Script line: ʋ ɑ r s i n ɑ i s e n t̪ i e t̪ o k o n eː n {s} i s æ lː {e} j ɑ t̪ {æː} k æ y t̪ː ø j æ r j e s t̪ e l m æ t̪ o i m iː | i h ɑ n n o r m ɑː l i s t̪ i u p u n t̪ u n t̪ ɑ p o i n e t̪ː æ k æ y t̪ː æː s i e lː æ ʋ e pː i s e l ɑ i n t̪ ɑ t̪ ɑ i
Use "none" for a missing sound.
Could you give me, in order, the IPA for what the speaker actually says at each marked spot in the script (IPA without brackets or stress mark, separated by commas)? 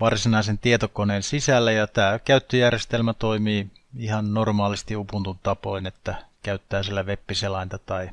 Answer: s, æ, æː